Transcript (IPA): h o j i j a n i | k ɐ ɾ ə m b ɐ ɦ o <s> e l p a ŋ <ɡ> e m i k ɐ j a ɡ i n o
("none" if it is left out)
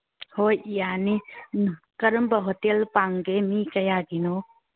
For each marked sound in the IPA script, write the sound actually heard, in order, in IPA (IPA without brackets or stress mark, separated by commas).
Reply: t, ɡ